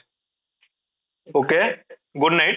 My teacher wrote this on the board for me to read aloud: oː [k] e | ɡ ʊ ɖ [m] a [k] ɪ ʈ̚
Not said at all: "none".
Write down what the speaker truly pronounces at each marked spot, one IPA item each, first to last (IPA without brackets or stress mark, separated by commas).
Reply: k, n, none